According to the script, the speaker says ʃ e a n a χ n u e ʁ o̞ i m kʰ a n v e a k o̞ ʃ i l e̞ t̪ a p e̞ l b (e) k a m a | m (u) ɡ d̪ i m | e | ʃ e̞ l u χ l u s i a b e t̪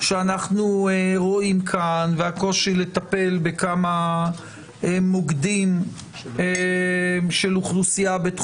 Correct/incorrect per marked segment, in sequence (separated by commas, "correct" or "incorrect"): correct, incorrect